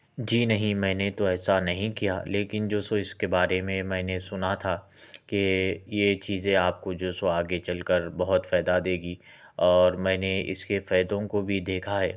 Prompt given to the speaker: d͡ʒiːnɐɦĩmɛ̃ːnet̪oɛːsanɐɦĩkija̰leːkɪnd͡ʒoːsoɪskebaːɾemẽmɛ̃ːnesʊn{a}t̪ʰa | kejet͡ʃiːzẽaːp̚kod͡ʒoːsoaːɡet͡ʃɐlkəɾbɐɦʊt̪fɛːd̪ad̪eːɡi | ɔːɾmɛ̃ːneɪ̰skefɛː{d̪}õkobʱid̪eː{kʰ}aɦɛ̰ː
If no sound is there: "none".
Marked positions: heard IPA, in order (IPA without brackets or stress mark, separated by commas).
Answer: a, d̪, kʰ